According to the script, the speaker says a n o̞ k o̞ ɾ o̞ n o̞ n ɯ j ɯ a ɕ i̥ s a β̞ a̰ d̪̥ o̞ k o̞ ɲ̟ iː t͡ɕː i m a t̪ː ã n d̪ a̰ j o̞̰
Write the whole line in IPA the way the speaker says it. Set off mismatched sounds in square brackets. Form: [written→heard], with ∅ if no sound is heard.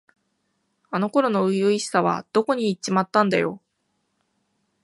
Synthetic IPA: a n o̞ k o̞ ɾ o̞ n o̞ [n→∅] ɯ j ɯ [a→i] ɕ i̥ s a β̞ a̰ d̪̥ o̞ k o̞ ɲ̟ iː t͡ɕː i m a t̪ː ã n d̪ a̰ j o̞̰